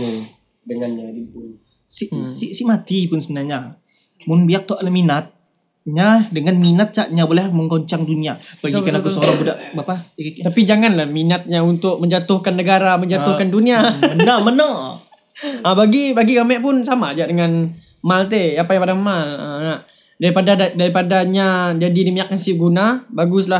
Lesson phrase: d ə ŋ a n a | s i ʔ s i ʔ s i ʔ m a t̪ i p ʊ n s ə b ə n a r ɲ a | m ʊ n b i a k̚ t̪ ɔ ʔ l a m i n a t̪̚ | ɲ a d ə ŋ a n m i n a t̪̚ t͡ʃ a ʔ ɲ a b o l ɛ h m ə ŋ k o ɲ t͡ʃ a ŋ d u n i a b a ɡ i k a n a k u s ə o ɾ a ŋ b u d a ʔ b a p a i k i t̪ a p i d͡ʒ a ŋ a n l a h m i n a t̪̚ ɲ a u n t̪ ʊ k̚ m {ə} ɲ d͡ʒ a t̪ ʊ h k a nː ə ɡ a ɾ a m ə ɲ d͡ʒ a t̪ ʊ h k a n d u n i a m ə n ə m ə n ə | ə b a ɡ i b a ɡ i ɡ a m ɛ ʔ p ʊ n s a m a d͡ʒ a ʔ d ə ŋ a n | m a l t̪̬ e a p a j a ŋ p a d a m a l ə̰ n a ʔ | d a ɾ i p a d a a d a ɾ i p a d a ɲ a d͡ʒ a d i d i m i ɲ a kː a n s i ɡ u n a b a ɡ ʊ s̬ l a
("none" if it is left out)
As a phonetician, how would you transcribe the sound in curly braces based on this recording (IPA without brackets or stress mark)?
ə